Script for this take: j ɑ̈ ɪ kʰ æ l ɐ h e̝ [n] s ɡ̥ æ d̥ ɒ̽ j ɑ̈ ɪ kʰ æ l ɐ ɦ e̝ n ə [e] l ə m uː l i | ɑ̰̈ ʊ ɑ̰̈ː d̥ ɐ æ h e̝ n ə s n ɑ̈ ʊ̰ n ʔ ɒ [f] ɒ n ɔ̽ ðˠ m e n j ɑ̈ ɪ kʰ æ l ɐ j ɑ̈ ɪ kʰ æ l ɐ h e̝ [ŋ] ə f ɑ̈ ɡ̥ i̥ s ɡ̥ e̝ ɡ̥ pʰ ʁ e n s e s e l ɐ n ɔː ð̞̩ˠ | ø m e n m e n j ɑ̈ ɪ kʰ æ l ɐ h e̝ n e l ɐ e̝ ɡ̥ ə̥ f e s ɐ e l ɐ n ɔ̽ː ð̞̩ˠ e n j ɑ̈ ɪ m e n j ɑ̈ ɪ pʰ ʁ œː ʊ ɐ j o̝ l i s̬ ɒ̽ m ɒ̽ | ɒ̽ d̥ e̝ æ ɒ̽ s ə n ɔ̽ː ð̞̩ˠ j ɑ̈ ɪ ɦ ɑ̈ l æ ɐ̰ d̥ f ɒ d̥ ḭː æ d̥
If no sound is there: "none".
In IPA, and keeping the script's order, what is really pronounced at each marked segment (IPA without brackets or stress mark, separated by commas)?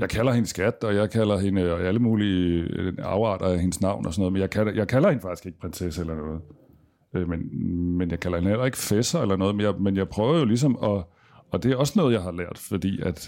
n, æ, s, n